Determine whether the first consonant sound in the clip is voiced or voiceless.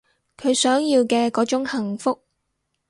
voiceless